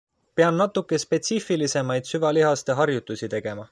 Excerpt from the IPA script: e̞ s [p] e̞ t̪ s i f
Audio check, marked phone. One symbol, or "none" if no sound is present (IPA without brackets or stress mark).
p